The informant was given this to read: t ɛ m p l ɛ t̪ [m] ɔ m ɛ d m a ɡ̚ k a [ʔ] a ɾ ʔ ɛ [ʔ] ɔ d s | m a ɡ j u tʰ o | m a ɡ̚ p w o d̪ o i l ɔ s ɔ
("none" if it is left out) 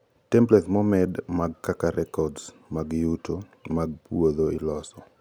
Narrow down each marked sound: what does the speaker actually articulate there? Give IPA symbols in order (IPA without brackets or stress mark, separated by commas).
m, k, k